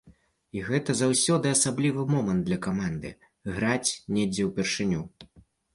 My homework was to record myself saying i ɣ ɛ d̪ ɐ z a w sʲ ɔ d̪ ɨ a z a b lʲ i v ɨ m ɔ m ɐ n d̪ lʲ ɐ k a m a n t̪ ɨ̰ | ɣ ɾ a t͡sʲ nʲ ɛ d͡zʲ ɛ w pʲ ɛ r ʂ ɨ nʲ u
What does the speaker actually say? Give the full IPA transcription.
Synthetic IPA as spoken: i ɣ ɛ t̪ ɐ z a w sʲ ɔ d̪ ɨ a s a b lʲ i v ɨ m ɔ m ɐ n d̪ lʲ ɐ k a m a n d̪ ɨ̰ | ɣ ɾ a t͡sʲ nʲ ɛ d͡zʲ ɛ w pʲ ɛ r ʂ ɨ nʲ u